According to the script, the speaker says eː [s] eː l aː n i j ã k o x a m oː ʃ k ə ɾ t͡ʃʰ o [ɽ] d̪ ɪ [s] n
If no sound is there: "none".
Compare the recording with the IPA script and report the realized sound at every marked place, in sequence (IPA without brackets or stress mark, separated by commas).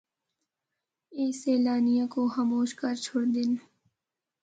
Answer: s, ɽ, none